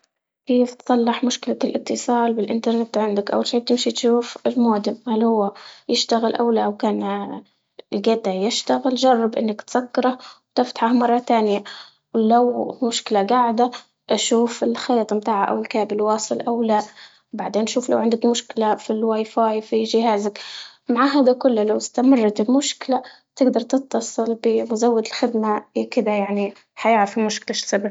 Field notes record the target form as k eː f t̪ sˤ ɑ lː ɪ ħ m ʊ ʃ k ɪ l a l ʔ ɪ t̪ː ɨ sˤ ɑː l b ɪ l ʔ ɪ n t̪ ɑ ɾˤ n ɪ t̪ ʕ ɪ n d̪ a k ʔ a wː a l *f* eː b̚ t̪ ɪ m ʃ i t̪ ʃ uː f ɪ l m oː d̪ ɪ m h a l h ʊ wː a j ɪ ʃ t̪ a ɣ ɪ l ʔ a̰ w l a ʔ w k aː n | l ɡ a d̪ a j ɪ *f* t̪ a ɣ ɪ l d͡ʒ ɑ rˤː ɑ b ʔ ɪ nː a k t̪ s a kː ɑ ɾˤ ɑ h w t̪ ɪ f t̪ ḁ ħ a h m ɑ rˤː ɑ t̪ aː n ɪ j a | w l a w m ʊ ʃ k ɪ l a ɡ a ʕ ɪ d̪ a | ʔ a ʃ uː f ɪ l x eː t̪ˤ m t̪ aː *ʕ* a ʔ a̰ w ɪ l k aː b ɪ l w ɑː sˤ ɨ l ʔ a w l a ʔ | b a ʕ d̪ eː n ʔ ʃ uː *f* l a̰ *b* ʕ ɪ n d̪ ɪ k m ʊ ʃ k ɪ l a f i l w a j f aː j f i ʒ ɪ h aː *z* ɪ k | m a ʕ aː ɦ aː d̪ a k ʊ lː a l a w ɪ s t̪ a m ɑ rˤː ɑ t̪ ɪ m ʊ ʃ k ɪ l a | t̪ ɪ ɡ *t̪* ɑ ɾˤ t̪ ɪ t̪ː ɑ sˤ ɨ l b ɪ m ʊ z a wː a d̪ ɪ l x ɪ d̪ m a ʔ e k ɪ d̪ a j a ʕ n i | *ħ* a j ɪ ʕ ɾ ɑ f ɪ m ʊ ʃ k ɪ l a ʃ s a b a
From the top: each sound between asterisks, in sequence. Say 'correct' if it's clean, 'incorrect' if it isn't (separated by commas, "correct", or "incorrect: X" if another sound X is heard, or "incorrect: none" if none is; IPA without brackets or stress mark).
incorrect: ʃ, incorrect: ʃ, correct, correct, incorrect: w, correct, incorrect: d̪, correct